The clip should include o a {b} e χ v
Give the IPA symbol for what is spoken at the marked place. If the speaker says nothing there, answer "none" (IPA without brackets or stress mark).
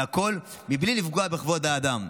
b